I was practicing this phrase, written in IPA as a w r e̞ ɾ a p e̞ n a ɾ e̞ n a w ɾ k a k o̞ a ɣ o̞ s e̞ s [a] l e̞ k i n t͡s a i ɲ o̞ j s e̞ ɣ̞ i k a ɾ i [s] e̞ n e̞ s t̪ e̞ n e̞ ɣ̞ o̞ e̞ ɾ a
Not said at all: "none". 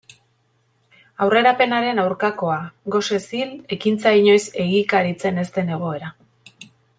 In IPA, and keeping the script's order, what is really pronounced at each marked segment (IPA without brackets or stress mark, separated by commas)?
i, t͡s